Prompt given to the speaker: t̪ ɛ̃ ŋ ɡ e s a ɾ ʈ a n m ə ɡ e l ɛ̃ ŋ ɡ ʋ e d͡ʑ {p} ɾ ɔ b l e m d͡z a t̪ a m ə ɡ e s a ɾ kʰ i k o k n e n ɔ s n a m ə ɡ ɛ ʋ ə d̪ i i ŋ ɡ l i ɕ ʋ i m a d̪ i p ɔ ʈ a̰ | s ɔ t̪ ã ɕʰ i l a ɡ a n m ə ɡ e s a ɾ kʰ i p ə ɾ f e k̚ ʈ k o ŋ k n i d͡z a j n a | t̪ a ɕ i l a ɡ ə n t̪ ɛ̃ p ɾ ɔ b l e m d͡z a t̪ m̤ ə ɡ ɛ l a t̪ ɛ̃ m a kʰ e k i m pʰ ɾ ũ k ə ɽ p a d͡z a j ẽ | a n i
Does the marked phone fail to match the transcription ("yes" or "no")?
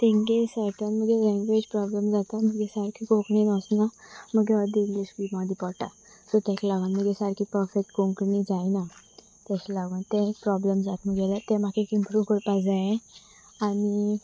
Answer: no